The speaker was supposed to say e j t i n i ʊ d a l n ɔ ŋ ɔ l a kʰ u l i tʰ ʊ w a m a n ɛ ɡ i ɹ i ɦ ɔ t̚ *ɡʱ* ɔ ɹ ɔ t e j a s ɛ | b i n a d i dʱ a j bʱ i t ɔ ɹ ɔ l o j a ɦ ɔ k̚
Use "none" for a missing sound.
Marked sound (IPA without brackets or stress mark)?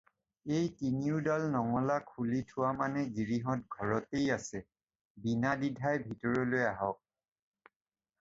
ɡʱ